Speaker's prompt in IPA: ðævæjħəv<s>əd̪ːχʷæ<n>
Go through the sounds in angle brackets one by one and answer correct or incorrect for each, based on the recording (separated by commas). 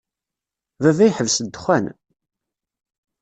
correct, correct